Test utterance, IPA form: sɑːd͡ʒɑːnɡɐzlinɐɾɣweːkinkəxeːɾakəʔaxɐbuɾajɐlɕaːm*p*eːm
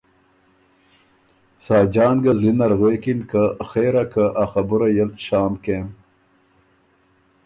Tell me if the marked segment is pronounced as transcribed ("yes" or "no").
no